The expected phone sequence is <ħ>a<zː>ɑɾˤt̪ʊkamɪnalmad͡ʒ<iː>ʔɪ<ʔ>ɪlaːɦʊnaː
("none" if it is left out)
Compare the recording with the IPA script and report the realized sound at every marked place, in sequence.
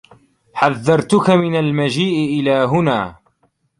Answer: ħ, ðː, iː, ʔ

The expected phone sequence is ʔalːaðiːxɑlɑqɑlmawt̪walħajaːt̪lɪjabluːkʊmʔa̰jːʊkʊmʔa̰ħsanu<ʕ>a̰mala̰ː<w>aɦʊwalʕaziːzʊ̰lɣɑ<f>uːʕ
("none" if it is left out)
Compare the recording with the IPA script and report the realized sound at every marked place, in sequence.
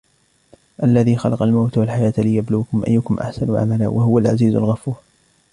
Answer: ʕ, w, f

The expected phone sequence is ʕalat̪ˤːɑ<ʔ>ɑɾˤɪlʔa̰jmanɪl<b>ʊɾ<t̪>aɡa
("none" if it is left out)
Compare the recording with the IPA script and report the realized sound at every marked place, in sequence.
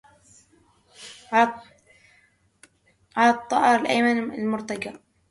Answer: ʔ, m, t̪

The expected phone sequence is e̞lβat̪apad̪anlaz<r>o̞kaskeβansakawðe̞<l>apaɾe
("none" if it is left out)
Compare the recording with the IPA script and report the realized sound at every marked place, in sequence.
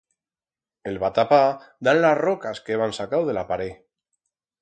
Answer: r, l

